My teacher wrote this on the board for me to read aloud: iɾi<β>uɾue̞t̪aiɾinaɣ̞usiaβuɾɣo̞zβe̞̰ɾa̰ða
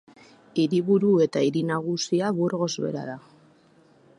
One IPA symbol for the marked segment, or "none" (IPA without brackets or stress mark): β